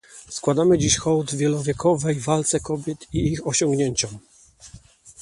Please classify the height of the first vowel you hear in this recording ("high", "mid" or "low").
low